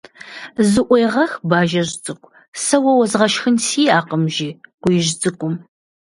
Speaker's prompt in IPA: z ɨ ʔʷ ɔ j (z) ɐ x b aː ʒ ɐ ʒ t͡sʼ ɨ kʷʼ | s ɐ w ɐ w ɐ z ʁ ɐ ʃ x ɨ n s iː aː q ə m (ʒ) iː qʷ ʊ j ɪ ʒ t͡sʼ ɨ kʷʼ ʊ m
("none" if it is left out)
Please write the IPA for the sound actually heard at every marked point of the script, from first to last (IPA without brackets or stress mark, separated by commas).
ʁ, ʒ